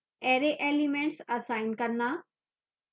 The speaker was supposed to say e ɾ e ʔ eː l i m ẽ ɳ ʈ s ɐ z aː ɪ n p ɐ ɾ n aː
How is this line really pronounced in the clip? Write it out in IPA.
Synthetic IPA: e ɾ e ʔ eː l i m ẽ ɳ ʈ s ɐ s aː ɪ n k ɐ ɾ n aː